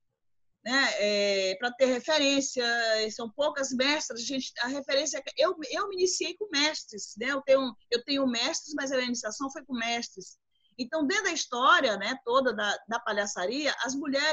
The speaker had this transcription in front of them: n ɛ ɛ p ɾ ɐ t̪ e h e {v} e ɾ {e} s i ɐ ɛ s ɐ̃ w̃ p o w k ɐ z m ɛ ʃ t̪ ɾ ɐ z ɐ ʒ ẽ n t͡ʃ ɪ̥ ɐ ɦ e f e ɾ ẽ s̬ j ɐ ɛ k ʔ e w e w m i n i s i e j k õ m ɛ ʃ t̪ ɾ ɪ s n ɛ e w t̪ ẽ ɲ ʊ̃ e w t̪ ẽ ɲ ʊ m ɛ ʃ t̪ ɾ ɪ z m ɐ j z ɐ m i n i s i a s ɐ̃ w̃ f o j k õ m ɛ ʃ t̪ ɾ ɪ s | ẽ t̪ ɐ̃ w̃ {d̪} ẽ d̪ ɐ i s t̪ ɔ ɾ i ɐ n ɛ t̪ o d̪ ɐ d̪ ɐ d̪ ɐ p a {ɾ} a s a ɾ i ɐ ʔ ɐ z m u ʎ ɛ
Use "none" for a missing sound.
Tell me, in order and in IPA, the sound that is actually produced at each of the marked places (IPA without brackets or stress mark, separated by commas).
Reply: f, ẽ, d̪, ʎ